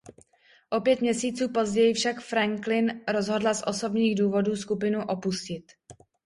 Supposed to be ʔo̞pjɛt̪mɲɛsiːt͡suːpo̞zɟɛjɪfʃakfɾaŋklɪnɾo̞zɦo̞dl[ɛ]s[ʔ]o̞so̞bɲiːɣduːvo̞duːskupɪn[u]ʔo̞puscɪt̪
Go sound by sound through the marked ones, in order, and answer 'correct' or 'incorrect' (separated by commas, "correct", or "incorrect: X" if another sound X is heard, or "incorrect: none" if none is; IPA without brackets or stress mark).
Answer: incorrect: a, correct, correct